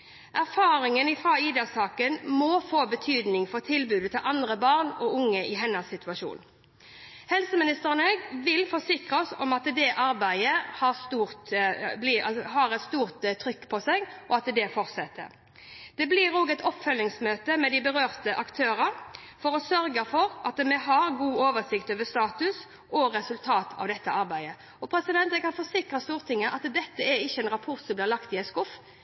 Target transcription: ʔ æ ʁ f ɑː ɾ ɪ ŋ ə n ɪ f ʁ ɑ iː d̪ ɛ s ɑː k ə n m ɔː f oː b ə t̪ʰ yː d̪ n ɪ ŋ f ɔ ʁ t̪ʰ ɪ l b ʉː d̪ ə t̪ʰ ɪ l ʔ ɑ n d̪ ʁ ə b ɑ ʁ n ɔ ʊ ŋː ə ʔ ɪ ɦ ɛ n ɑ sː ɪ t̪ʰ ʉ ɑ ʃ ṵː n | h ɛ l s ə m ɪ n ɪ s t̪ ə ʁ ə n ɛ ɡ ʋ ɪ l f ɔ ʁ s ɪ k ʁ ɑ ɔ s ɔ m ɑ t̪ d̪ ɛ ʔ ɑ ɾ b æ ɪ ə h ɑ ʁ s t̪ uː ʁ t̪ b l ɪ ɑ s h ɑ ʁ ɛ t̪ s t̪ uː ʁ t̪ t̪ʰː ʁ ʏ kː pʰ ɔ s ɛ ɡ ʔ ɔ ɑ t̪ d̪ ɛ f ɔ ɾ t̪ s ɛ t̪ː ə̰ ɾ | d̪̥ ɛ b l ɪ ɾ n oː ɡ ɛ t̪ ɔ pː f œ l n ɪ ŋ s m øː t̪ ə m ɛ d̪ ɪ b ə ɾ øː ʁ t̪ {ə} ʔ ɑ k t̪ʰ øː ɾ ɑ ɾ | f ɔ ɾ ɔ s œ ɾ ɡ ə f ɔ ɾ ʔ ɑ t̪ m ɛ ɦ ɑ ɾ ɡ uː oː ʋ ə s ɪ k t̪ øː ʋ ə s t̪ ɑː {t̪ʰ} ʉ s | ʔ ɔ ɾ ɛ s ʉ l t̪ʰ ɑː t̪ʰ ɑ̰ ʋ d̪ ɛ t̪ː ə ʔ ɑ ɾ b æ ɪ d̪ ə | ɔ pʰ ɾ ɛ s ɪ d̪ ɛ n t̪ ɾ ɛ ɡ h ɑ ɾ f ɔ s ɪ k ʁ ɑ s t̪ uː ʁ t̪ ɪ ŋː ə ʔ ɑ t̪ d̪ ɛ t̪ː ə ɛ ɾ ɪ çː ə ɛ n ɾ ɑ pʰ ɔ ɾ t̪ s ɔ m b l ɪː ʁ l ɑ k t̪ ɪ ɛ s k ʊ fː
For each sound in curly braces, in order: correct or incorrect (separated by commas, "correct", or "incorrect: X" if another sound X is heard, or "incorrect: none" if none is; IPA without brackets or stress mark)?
correct, incorrect: t̪